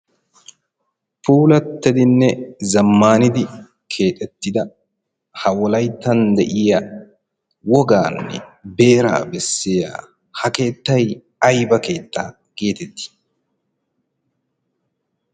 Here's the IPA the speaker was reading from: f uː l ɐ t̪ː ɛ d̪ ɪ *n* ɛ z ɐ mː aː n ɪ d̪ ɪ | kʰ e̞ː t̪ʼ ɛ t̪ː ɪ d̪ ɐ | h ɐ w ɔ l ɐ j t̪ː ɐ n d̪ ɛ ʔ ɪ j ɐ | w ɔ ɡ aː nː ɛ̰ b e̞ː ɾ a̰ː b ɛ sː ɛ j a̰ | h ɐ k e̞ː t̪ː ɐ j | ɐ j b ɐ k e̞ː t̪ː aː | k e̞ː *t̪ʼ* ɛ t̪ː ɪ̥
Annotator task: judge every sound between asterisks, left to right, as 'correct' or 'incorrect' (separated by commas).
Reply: incorrect, incorrect